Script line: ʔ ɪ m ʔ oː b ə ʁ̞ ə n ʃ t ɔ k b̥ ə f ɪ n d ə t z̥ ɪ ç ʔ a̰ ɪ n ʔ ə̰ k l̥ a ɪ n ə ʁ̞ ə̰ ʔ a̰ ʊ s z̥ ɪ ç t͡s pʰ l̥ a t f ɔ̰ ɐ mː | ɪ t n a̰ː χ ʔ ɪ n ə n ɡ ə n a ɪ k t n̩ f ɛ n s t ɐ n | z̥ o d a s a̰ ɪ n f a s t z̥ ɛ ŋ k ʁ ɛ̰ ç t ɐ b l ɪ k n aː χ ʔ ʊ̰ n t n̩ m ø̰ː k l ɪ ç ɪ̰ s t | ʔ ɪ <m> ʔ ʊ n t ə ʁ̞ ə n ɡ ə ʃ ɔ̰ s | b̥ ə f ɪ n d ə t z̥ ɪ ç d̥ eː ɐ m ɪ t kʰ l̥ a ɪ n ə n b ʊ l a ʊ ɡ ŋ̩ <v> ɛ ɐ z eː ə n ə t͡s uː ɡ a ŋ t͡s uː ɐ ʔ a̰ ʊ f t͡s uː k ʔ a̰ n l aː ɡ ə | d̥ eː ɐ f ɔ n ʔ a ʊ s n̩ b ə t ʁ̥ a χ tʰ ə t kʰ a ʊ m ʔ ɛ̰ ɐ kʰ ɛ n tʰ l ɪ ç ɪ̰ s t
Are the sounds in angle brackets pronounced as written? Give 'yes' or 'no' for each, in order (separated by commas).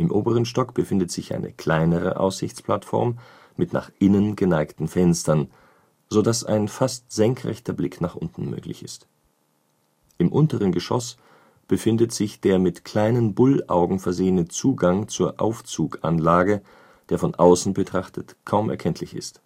yes, no